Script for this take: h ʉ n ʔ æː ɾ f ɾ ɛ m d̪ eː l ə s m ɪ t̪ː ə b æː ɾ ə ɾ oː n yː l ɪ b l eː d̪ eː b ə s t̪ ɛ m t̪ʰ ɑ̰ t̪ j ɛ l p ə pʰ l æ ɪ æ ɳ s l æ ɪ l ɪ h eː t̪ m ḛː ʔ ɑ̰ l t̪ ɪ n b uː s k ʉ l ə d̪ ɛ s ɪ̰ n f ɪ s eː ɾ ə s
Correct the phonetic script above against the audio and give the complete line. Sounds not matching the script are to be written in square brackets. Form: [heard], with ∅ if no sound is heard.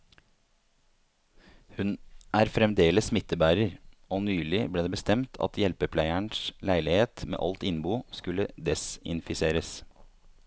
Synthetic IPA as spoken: h ʉ n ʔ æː ɾ f ɾ ɛ m d̪ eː l ə s m ɪ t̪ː ə b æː ɾ ə ɾ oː n yː l ɪ b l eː d̪ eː b ə s t̪ ɛ m t̪ʰ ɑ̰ t̪ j ɛ l p ə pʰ l æ ɪ æ ɳ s l æ ɪ l ɪ h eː t̪ m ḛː ʔ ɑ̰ l t̪ ɪ n b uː s k ʉ l ə d̪ ɛ s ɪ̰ n f ɪ s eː ɾ ə s